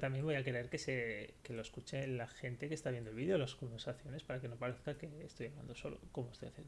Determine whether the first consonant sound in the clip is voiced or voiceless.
voiceless